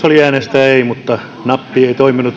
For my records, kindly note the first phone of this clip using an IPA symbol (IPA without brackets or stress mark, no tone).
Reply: o